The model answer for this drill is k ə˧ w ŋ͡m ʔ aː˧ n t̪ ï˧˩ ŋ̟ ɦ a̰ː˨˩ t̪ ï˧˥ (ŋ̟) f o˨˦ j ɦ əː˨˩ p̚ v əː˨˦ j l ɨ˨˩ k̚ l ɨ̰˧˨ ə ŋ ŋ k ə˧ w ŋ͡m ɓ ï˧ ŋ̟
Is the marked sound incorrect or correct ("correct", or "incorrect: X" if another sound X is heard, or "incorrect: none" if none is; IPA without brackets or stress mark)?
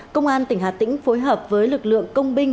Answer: correct